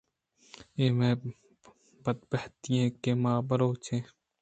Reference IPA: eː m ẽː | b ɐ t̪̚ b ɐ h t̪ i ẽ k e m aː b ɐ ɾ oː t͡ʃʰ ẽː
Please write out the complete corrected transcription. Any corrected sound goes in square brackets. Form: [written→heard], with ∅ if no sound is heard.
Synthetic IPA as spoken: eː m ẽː | b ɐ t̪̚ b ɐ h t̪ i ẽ k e m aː b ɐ ɾ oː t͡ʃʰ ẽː